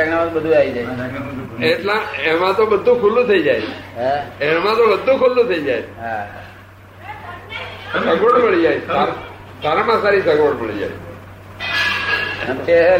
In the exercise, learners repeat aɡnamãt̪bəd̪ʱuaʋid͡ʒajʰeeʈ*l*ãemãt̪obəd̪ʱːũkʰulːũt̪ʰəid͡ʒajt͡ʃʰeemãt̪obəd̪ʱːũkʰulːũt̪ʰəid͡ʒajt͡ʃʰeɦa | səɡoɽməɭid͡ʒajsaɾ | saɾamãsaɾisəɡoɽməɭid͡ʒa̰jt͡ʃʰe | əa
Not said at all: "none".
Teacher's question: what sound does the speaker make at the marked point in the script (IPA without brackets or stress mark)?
l